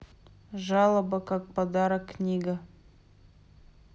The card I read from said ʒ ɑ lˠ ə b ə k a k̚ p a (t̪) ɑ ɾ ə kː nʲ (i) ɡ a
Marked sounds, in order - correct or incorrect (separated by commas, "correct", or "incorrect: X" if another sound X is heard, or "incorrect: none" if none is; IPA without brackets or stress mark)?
incorrect: d̪, correct